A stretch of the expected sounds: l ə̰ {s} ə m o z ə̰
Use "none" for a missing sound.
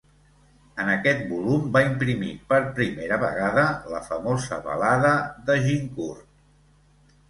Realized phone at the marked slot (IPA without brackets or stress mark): f